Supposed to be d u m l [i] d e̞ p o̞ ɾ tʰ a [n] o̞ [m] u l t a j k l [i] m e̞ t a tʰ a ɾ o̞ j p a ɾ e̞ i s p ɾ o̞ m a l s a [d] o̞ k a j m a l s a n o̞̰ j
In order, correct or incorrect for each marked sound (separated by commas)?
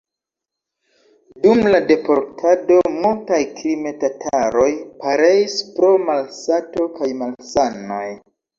incorrect, incorrect, correct, correct, incorrect